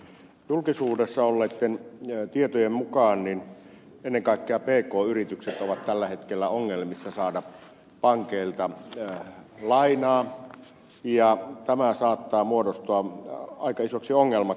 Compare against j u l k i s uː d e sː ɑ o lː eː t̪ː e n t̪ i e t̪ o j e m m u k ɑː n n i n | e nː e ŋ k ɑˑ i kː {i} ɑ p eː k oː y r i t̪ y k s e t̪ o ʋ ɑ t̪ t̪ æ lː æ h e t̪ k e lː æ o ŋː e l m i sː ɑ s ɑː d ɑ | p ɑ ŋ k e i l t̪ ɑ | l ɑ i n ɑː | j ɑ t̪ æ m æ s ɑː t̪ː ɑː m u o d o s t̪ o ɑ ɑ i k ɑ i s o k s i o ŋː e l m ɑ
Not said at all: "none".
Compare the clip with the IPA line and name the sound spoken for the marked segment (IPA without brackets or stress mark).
e